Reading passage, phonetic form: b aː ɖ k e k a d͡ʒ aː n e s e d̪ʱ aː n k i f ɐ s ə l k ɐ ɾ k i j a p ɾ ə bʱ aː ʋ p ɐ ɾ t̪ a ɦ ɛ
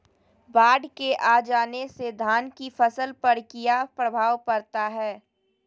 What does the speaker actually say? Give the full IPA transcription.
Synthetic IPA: b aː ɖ k e ʔ a d͡ʒ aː n e s e d̪ʱ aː n k i f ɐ s ə l p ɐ ɾ k i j a p ɾ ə bʱ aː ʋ p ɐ ɾ t̪ a ɦ ɛː